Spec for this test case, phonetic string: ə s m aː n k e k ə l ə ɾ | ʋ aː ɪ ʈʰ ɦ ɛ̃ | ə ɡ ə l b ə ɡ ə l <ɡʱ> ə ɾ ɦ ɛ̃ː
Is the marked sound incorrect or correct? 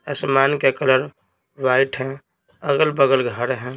correct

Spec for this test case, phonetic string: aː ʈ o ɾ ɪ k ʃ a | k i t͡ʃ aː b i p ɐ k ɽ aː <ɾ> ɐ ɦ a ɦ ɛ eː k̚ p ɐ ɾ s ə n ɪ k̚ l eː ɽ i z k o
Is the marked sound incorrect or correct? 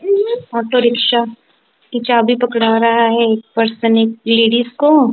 correct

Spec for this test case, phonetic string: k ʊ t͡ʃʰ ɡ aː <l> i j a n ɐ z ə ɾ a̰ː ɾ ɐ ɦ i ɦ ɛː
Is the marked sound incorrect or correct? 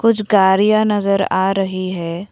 incorrect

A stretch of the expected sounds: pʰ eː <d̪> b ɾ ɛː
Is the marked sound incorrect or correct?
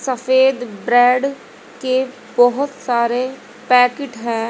correct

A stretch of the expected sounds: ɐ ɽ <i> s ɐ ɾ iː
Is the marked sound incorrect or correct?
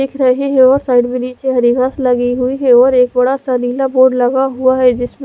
incorrect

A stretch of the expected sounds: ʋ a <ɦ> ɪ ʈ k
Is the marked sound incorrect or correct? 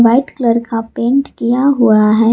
incorrect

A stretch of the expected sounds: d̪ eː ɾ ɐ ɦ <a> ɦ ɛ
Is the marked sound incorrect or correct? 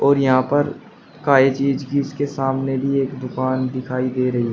incorrect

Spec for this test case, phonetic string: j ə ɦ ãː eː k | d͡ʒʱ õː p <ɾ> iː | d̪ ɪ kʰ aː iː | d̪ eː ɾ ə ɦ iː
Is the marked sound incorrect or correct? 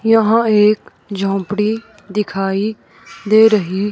incorrect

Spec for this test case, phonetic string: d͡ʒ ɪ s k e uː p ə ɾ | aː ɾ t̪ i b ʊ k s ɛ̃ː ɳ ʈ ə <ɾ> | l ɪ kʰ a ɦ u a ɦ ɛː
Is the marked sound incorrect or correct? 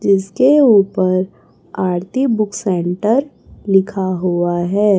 correct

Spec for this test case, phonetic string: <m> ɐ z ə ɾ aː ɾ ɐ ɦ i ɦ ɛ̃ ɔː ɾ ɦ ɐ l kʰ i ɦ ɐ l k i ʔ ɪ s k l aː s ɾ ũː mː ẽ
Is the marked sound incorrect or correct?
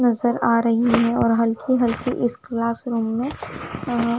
incorrect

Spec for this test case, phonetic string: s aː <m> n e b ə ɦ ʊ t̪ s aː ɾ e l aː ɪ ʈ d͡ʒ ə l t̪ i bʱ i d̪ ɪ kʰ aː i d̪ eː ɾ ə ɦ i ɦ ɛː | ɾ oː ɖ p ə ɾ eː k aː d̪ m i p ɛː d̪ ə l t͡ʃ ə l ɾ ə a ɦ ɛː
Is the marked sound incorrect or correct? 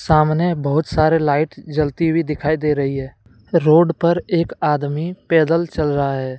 correct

